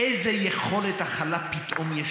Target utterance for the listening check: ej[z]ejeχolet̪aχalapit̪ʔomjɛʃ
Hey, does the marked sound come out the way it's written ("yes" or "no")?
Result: yes